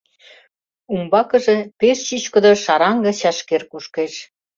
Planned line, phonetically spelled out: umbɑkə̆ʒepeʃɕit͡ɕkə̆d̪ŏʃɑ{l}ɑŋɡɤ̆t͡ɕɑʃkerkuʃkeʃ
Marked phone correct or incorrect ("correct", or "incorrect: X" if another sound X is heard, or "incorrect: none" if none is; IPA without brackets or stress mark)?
incorrect: ɾ